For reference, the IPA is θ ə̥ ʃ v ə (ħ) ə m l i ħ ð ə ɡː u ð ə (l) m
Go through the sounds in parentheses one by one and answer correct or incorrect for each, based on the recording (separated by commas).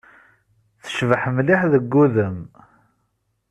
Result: correct, incorrect